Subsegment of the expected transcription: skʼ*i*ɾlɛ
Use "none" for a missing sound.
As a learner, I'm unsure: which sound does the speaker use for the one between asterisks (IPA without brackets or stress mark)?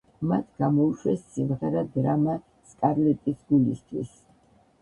a